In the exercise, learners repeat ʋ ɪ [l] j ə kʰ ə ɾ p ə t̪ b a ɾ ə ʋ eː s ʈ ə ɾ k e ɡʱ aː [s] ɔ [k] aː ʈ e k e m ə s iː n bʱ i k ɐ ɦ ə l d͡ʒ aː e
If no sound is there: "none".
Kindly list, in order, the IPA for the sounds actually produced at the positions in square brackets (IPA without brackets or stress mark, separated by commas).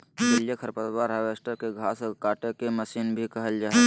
l, s, k